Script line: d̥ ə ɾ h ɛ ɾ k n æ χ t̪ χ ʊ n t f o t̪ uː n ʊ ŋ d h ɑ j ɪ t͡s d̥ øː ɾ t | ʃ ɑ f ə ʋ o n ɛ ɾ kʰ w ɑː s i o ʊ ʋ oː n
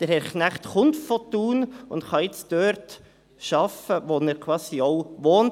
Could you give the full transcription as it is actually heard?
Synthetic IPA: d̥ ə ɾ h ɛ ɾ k n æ χ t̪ χ ʊ n t f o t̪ uː n ʊ n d χ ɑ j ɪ t͡s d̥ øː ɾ t | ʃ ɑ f ə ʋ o n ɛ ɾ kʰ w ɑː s i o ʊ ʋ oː n

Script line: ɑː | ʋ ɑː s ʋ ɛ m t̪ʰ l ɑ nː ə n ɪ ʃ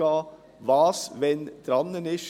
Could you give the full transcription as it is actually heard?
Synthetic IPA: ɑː | ʋ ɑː s ʋ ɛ n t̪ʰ ɾ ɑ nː ə n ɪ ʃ

